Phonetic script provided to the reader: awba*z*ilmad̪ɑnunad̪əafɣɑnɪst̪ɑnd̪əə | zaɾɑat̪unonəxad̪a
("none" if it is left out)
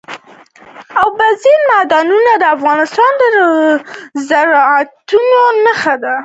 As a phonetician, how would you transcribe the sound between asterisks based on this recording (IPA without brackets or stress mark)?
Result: z